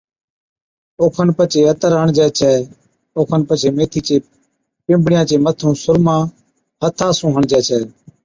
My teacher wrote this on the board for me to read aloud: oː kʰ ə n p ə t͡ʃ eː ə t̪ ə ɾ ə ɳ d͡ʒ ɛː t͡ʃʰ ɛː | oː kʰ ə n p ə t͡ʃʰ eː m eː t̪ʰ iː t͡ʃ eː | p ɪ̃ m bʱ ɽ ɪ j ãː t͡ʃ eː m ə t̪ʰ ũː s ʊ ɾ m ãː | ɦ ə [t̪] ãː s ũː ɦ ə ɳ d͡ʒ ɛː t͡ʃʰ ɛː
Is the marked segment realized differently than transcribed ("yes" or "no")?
yes